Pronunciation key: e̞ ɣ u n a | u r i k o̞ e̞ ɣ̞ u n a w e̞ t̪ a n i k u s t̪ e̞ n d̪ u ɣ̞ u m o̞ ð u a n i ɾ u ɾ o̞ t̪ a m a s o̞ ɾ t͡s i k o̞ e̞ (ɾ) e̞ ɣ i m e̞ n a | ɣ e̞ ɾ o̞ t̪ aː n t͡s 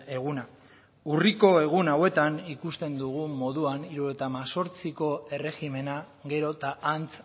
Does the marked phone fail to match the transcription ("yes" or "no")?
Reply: yes